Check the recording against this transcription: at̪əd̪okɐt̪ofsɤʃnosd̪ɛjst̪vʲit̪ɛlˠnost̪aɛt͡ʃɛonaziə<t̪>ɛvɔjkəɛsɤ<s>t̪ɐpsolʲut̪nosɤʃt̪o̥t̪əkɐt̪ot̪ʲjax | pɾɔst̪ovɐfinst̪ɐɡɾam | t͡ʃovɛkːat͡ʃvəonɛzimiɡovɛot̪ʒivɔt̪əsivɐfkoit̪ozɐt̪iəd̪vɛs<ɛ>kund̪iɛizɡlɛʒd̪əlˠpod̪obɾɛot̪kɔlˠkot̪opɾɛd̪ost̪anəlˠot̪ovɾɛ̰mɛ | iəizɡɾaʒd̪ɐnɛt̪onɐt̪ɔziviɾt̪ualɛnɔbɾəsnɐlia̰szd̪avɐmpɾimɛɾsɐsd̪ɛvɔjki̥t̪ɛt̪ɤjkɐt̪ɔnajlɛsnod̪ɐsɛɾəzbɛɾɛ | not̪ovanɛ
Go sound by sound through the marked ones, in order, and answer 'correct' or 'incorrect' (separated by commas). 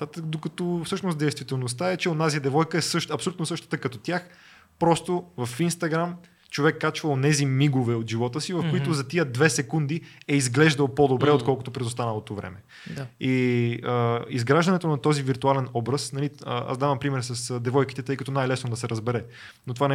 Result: incorrect, incorrect, correct